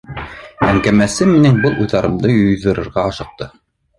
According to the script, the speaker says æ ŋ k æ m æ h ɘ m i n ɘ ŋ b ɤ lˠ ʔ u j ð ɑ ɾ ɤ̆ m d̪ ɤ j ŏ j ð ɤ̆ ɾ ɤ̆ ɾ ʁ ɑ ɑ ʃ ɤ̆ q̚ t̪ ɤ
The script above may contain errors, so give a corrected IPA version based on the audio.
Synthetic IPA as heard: æ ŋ k æ m æ s ɘ m i n ɘ ŋ b ɤ lˠ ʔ u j ð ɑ ɾ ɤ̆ m d̪ ɤ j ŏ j ð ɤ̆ ɾ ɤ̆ ɾ ʁ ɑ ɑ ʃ ɤ̆ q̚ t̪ ɤ